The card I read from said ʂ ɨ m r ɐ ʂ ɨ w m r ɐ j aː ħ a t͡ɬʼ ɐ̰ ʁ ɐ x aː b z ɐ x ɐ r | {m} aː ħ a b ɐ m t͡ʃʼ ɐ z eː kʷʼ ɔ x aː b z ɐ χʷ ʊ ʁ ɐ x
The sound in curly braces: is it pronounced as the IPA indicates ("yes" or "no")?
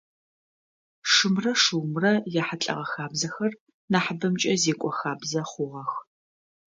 no